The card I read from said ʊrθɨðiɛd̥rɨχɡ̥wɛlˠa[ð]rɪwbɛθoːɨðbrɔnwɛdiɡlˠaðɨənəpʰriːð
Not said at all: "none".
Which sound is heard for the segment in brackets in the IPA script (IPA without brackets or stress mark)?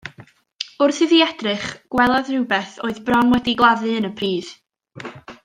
ð